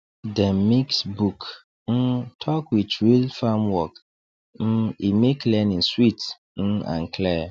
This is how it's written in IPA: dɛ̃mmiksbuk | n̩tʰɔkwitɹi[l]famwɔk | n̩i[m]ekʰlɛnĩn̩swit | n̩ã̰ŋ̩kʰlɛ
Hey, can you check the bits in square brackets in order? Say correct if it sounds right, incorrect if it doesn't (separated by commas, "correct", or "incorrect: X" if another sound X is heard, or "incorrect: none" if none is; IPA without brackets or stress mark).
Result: correct, correct